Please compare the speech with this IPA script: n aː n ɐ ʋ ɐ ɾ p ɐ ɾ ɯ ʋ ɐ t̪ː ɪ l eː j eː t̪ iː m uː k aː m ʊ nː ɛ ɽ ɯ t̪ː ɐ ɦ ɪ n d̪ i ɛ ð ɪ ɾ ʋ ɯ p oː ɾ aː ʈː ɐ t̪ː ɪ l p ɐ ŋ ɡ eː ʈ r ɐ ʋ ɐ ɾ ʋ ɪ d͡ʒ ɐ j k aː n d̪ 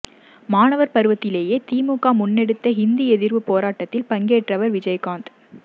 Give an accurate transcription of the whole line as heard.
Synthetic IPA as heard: m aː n ɐ ʋ ɐ ɾ p ɐ ɾ ɯ ʋ ɐ t̪ː ɪ l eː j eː t̪ iː m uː k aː m ʊ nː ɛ ɽ ɯ t̪ː ɐ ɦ ɪ n d̪ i ɛ ð ɪ ɾ ʋ ɯ p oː ɾ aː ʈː ɐ t̪ː ɪ l p ɐ ŋ ɡ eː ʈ r ɐ ʋ ɐ ɾ ʋ ɪ d͡ʒ ɐ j k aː n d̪